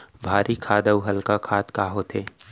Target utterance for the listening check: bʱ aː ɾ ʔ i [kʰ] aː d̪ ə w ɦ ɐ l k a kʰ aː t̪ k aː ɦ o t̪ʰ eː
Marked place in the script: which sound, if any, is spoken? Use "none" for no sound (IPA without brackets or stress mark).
kʰ